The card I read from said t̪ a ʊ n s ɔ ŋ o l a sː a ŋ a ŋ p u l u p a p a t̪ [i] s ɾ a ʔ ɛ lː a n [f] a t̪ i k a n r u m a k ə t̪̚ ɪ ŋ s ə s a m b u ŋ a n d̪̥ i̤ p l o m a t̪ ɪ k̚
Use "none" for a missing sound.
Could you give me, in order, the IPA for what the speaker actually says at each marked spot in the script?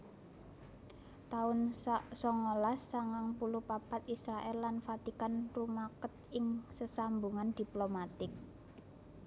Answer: i, f

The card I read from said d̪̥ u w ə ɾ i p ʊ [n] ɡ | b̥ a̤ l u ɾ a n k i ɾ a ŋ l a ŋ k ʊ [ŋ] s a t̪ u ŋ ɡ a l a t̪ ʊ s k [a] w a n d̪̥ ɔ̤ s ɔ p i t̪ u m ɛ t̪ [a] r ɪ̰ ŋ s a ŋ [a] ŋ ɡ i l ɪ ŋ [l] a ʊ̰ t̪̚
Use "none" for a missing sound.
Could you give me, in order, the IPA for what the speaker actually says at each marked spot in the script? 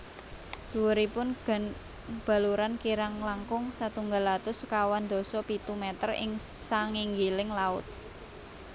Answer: n, ŋ, a, ə, i, l

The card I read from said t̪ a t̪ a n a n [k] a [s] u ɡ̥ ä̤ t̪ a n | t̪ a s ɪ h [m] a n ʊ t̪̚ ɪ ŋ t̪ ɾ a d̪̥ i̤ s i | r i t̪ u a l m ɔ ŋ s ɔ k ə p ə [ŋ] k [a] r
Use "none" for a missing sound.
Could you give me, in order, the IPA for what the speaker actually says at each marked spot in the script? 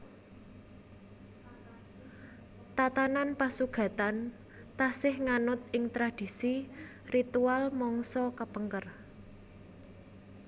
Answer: p, s, ŋ, ŋ, ə

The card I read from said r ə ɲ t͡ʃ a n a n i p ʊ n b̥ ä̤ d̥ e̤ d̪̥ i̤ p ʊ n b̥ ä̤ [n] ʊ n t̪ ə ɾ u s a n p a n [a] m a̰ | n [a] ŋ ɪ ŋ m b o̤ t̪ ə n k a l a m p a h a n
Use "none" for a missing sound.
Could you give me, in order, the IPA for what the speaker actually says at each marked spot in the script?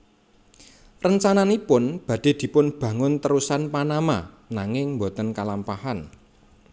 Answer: ŋ, a, a

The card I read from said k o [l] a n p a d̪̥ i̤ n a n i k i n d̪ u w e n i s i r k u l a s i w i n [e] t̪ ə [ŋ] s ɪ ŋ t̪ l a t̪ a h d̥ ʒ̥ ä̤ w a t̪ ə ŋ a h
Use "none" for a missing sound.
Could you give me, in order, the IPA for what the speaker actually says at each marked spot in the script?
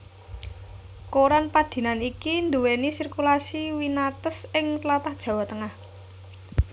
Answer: ɾ, a, none

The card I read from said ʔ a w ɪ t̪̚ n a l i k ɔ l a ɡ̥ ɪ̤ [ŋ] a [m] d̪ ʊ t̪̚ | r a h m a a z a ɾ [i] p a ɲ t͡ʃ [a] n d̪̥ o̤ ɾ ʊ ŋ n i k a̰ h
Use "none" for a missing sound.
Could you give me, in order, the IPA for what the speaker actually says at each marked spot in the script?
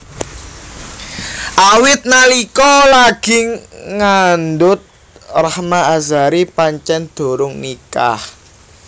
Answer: ŋ, n, i, ɛ

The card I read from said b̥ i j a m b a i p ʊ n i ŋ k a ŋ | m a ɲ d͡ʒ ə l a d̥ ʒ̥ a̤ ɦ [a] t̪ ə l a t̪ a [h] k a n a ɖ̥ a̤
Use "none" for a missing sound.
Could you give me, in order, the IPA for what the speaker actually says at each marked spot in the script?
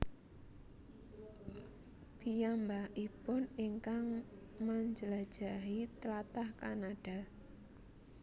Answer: i, h

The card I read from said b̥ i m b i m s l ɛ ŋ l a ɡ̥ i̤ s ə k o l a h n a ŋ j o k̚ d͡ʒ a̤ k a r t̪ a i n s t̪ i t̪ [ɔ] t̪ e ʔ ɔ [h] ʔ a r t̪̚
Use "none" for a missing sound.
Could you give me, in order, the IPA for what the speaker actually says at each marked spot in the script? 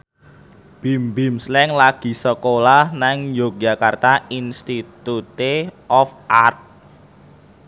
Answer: u, f

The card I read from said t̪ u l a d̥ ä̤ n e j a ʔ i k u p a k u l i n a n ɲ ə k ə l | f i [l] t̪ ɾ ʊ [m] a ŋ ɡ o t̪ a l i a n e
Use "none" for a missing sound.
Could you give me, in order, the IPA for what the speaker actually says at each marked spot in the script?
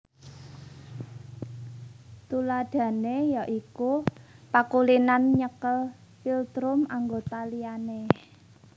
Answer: l, m

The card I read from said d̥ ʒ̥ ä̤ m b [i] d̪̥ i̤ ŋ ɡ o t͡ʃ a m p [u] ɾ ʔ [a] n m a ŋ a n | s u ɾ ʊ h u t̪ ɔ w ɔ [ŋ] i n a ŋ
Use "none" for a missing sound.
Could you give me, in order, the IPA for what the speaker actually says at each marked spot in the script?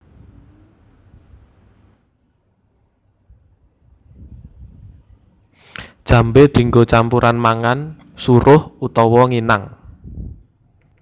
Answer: e, u, a, ŋ

